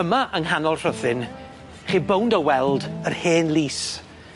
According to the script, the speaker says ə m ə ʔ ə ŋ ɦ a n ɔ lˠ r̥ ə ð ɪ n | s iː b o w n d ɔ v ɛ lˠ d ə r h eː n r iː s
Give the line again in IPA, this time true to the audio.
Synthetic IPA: ə m a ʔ ə ŋ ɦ a n ɔ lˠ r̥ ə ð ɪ n | χ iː b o w n d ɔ w ɛ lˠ d ə r h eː n l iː s